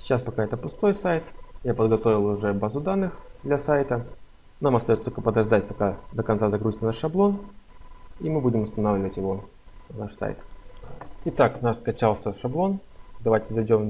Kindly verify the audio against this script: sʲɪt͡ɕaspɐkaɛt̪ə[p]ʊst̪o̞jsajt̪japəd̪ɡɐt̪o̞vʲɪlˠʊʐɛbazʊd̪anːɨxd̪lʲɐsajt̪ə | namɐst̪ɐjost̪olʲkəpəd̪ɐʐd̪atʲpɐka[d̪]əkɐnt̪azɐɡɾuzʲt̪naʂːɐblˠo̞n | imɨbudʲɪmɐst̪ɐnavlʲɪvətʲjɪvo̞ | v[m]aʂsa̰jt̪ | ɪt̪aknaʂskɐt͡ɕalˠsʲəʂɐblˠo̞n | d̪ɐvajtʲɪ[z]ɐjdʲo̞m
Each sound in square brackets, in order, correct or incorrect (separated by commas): correct, correct, incorrect, correct